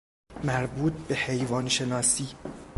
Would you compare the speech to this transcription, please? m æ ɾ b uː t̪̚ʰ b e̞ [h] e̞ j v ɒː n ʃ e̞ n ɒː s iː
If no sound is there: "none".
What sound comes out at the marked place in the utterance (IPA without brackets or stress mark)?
h